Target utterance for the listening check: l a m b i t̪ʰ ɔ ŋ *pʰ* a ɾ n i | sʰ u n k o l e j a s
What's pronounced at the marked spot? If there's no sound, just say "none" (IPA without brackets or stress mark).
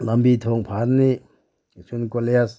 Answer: pʰ